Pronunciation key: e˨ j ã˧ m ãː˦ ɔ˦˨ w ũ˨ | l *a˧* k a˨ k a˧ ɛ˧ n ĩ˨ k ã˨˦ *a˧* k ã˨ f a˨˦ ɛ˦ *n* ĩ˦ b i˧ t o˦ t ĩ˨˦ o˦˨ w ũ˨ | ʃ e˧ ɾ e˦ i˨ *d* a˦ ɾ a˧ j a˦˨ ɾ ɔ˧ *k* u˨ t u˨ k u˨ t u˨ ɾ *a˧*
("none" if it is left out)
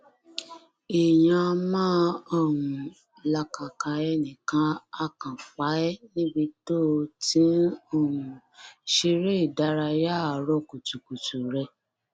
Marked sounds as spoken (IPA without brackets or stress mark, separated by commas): a˧, a˧, n, d, k, ɛ˧